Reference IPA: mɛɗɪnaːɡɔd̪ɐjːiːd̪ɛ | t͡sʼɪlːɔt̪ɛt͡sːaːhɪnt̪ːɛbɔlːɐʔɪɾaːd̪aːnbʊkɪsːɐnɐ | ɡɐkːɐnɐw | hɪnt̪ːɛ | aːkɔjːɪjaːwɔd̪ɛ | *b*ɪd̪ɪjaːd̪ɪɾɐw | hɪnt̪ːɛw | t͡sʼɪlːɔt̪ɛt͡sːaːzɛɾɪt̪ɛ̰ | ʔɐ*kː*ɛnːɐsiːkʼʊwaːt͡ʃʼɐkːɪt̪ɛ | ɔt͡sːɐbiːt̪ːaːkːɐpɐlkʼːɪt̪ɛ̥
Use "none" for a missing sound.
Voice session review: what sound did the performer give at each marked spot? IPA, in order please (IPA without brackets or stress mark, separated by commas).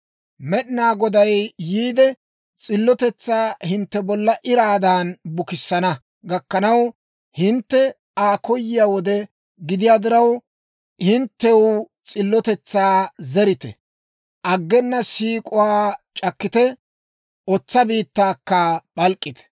ɡ, ɡː